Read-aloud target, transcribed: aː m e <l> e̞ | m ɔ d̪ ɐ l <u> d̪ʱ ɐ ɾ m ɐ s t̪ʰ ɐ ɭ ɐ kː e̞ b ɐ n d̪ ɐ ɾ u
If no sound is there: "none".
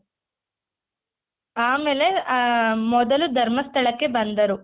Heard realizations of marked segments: l, u

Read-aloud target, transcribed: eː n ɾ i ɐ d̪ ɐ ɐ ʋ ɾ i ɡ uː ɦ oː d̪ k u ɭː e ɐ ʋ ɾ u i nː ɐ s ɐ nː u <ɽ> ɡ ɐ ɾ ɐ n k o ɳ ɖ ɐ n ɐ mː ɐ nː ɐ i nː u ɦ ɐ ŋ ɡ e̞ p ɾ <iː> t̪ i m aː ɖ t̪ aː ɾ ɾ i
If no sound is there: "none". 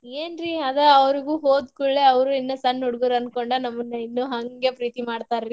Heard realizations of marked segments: ɽ, iː

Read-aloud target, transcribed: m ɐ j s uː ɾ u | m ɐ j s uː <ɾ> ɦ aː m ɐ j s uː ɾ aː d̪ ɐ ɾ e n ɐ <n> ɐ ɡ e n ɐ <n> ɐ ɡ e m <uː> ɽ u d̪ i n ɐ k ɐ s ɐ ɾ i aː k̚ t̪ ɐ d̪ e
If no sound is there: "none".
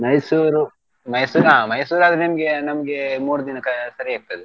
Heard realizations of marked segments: ɾ, m, m, uː

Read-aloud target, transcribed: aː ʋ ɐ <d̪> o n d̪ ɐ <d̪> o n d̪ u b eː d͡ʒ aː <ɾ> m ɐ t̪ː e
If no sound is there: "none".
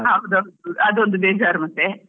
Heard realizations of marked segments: d̪, d̪, ɾ

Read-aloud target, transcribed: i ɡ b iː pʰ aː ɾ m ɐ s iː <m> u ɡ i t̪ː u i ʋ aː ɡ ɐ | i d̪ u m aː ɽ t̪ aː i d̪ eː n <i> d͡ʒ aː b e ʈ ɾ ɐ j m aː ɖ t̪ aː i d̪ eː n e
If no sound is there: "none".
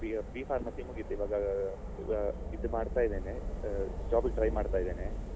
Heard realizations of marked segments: m, e

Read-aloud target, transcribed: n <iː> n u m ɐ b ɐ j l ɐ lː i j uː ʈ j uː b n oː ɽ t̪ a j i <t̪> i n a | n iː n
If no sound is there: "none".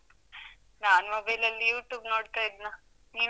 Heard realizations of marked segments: aː, d̪

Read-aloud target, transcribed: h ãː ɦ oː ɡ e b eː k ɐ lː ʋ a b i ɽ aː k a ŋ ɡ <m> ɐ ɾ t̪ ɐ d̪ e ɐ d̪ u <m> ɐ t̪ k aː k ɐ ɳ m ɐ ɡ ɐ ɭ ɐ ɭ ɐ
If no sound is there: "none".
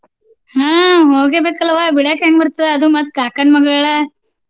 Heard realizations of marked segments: b, m

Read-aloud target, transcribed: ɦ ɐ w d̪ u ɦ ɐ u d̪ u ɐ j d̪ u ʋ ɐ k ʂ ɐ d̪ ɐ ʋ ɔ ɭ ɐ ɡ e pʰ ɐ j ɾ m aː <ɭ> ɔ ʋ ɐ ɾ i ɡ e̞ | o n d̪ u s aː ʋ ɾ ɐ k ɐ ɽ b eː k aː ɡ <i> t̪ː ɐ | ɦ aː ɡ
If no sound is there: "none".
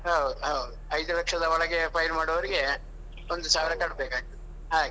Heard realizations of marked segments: ɽ, i

